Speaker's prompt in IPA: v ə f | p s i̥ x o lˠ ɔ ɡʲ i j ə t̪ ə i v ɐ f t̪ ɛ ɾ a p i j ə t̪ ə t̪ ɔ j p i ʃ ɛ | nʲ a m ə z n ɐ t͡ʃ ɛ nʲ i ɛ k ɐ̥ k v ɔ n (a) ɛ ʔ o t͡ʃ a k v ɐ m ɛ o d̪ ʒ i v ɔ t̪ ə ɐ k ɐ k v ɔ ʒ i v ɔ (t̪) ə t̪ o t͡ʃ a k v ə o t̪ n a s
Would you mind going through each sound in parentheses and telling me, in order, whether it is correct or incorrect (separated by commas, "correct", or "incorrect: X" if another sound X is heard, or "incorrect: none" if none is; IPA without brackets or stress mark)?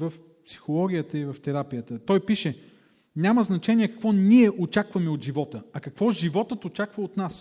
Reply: incorrect: i, correct